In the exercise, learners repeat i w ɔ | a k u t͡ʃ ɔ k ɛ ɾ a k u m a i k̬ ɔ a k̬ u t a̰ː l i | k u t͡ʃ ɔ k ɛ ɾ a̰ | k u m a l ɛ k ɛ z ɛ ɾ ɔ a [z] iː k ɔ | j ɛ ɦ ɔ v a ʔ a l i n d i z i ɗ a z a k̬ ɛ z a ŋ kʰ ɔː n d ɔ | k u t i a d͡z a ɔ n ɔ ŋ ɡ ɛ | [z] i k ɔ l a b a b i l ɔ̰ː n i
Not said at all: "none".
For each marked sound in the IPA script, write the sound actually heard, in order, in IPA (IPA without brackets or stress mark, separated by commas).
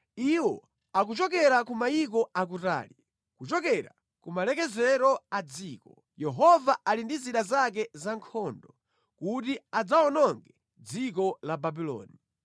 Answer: d͡z, d͡z